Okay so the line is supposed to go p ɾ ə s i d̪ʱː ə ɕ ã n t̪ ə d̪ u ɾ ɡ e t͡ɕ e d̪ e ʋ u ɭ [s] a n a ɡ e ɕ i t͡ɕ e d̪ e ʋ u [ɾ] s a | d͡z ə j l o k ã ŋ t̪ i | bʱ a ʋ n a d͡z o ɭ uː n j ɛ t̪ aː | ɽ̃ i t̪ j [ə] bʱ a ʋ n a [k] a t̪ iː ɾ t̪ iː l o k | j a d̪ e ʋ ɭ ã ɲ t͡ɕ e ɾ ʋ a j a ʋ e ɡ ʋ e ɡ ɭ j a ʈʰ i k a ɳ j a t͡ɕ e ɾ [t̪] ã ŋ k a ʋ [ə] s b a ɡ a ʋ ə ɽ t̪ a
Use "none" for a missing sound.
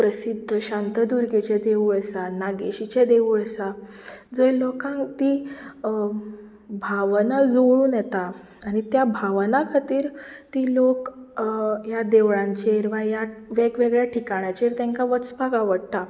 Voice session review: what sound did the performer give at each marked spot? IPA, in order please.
s, ɭ, a, kʰ, t̪, ə

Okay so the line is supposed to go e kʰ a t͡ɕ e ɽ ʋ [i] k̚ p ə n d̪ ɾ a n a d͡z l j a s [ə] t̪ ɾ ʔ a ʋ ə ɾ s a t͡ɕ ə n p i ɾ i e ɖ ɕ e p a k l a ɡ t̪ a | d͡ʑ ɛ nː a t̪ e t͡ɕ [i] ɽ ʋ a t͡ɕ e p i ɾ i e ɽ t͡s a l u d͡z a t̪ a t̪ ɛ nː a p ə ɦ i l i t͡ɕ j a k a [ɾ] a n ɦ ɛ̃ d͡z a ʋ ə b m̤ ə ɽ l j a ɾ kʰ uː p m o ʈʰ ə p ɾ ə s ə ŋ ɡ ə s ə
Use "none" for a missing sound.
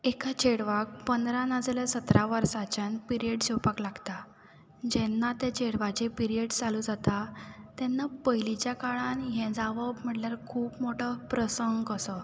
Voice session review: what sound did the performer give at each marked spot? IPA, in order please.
a, ə, e, ɭ

